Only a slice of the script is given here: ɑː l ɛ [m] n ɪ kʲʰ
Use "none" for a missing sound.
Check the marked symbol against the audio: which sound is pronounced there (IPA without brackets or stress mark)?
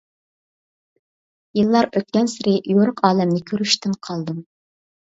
m